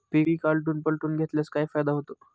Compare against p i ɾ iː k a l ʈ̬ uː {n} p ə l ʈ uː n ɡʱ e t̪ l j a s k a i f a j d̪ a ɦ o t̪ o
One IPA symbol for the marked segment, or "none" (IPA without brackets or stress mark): n